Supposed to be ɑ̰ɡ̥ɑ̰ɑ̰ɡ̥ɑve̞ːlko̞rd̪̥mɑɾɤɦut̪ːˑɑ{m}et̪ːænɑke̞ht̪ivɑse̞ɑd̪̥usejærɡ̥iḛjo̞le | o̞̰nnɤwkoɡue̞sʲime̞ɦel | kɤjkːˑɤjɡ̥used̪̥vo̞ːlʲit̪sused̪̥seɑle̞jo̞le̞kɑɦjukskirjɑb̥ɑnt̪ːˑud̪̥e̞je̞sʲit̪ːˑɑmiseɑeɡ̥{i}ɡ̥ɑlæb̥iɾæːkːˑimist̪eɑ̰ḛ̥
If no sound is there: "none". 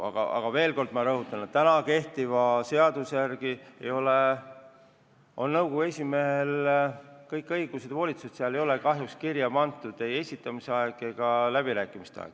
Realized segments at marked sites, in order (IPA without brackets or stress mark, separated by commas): n, e